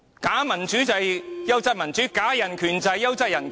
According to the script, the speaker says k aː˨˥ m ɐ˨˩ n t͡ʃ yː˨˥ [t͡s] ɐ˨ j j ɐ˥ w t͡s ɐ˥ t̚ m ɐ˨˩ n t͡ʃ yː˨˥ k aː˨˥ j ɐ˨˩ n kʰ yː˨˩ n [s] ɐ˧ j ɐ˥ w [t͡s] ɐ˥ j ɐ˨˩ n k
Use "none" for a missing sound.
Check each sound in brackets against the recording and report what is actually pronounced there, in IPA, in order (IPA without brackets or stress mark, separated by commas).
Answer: t͡s, t͡s, t͡s